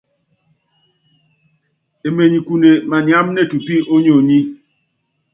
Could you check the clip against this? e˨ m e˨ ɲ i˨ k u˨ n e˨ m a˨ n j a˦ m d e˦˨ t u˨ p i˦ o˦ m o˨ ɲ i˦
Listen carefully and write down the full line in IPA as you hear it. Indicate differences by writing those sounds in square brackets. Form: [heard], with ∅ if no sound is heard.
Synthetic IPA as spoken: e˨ m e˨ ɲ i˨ k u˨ n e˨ m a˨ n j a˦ m [n] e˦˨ t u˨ p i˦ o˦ [ɲ] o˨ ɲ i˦